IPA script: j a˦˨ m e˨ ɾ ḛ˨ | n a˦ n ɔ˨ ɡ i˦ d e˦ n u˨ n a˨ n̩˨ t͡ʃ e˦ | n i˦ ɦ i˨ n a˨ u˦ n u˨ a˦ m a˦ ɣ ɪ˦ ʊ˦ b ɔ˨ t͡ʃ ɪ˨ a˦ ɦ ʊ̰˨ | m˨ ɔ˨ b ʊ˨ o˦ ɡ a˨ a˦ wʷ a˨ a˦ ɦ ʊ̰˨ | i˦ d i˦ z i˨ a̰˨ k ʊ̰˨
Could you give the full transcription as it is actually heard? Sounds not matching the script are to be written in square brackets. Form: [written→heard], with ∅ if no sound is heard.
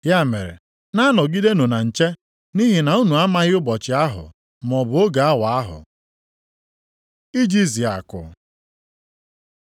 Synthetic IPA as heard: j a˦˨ m e˨ ɾ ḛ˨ | n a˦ n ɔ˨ ɡ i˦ d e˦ n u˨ n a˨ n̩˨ t͡ʃ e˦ | n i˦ ɦ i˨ n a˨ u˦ n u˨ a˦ m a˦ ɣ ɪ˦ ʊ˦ b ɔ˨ t͡ʃ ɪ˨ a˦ ɦ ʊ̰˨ | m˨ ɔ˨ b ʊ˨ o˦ ɡ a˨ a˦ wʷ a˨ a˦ ɦ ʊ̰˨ | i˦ [d→d͡ʒ] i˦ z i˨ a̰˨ k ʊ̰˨

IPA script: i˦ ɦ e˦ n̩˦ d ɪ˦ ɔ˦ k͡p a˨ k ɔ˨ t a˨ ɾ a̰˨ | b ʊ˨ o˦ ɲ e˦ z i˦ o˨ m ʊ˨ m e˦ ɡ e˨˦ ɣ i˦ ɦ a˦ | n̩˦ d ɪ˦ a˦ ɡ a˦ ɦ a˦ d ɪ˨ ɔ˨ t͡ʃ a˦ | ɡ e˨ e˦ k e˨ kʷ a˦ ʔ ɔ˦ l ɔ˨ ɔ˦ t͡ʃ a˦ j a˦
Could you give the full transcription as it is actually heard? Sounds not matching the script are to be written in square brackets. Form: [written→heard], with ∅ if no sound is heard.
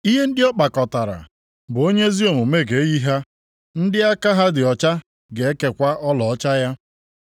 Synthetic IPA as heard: i˦ ɦ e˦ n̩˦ d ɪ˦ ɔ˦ k͡p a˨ k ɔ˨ t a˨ ɾ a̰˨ | b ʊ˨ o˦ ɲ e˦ z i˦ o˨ m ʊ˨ m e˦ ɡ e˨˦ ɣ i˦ ɦ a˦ | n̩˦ d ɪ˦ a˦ [ɡ→k] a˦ ɦ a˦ d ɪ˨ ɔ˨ t͡ʃ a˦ | ɡ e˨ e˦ k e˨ kʷ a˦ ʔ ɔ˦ l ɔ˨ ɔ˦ t͡ʃ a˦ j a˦

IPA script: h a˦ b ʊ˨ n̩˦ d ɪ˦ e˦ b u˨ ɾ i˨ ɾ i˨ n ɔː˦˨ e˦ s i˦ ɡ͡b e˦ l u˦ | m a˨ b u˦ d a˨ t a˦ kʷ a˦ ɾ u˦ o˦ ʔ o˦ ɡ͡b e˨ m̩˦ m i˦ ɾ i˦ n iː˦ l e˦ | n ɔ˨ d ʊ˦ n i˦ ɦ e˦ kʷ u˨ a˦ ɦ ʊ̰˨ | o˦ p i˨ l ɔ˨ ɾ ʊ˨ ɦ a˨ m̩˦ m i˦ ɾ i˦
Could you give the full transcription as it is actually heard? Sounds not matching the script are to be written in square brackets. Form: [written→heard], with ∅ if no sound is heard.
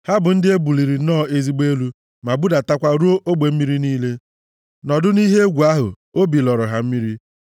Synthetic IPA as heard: h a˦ b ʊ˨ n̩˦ d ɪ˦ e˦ b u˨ [ɾ→l] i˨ ɾ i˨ n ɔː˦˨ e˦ [s→z] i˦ ɡ͡b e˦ l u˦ | m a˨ b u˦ d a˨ t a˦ kʷ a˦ ɾ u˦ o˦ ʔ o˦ ɡ͡b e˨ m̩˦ m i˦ ɾ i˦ n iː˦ l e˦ | n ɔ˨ d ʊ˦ n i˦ ɦ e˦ [kʷ→ɡʷ] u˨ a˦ ɦ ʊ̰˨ | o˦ [p→b] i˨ l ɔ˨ ɾ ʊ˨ ɦ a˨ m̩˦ m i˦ ɾ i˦

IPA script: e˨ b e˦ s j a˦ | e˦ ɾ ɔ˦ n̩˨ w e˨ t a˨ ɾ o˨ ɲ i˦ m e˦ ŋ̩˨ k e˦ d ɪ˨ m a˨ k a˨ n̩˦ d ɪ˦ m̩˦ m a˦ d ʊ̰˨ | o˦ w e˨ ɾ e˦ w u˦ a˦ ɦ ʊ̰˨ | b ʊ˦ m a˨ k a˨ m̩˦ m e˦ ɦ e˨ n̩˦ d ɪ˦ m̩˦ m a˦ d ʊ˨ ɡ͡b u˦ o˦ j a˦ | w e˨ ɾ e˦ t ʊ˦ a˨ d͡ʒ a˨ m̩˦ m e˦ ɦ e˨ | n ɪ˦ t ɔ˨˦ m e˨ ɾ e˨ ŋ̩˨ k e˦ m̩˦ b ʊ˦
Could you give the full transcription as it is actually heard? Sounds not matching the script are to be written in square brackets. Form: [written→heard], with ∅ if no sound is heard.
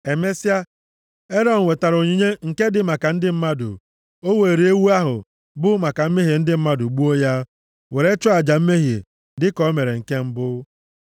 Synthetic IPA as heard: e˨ [b→m] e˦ s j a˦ | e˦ ɾ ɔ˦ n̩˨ w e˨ t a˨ ɾ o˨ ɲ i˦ [m→ɲ] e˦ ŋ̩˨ k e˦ d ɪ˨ m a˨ k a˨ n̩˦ d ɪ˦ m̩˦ m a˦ d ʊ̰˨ | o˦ w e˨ ɾ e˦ w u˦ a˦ ɦ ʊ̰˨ | b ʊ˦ m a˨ k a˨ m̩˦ m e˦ ɦ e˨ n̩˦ d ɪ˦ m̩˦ m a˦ d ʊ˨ ɡ͡b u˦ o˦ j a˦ | w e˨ ɾ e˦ [t→t͡ʃ] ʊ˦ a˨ d͡ʒ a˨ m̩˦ m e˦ ɦ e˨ | [n→d] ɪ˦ [t→k] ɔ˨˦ m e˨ ɾ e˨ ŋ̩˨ k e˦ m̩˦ b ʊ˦

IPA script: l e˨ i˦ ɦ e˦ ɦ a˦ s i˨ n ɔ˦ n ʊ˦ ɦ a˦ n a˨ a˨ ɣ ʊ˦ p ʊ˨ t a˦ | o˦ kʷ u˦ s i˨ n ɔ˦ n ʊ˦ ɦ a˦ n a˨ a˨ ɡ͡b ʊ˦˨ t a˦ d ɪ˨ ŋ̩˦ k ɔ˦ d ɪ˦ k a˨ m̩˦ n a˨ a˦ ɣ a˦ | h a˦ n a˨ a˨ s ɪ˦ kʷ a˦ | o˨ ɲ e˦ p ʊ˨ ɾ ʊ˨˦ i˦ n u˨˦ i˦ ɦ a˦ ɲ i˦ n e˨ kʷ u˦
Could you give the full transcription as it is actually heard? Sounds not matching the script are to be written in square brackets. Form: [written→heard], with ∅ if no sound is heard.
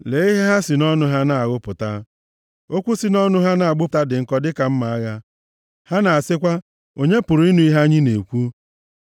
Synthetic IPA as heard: l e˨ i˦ ɦ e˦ ɦ a˦ s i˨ n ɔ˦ n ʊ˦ ɦ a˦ n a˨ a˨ ɣ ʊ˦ p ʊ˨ t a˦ | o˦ kʷ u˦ s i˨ n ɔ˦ n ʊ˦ ɦ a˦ n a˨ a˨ ɡ͡b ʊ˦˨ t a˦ d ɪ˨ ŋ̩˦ k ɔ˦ d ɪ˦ k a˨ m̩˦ [n→m] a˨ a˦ ɣ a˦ | h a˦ n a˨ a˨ s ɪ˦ kʷ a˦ | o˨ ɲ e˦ p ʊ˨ ɾ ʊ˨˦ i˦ n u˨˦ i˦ ɦ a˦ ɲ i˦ n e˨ kʷ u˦

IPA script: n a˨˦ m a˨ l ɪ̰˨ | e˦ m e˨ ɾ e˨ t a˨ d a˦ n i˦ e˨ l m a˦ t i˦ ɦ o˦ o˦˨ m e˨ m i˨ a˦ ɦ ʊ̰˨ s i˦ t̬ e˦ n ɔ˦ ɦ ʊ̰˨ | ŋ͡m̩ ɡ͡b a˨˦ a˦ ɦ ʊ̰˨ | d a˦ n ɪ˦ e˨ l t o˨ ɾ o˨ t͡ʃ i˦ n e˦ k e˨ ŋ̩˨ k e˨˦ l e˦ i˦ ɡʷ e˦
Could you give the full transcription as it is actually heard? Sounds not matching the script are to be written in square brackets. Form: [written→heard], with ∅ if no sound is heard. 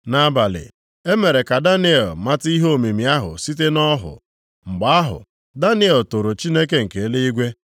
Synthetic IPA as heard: n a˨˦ [m→b] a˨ l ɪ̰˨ | e˦ m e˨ ɾ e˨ [t→k] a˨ d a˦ n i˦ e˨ l m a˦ t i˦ ɦ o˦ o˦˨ m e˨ m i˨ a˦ ɦ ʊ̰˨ s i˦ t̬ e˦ n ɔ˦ ɦ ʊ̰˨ | ŋ͡m̩ ɡ͡b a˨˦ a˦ ɦ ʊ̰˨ | d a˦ n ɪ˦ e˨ l t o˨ ɾ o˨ t͡ʃ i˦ n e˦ k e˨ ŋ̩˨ k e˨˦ l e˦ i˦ ɡʷ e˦

